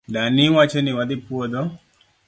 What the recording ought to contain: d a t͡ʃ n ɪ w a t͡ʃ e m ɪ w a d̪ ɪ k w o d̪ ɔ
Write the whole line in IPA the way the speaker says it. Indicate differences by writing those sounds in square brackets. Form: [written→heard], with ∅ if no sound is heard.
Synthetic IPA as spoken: d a [t͡ʃ→∅] n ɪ w a t͡ʃ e [m→n] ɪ w a d̪ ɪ [k→p] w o d̪ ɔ

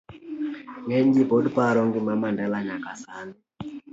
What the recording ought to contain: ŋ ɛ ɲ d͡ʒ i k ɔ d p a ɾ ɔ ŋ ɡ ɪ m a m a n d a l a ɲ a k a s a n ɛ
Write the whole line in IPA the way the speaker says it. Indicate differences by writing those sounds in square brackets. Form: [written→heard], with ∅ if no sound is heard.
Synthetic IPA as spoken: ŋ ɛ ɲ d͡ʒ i [k→p] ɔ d p a ɾ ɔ ŋ ɡ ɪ m a m a n d a l a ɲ a k a s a n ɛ

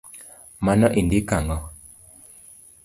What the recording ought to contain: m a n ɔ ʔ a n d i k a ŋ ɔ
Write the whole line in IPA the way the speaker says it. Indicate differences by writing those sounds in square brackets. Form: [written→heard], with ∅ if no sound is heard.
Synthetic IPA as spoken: m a n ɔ ʔ [a→i] n d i k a ŋ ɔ

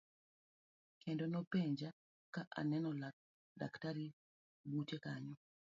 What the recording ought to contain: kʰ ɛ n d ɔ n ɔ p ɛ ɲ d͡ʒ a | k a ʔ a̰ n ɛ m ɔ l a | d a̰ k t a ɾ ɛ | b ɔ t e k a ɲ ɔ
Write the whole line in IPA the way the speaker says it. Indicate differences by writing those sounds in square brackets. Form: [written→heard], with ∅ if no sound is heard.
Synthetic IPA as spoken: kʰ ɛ n d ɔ n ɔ p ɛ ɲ d͡ʒ a | k a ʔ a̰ n ɛ [m→n] ɔ l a | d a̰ k t a ɾ [ɛ→i] | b [ɔ→u] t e k a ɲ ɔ

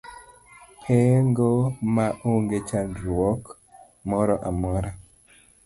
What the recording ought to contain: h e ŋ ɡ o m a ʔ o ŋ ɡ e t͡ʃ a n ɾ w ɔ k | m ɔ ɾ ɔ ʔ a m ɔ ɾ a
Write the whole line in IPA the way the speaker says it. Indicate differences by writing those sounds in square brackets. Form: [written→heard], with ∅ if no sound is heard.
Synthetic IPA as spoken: h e ŋ ɡ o m a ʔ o ŋ ɡ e t͡ʃ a n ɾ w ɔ k | m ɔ ɾ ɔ ʔ a m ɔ ɾ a

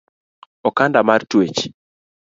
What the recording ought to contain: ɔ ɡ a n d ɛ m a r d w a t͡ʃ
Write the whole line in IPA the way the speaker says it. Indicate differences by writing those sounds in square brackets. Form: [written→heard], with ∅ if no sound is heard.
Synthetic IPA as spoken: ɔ [ɡ→k] a n d [ɛ→a] m a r [d→t] w [a→e] t͡ʃ

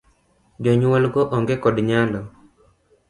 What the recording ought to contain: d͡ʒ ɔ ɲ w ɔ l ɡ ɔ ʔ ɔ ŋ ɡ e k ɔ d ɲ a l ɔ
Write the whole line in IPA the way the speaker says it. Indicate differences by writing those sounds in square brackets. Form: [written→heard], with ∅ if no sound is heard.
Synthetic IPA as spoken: d͡ʒ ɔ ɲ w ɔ l ɡ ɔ ʔ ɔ ŋ ɡ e k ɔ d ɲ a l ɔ

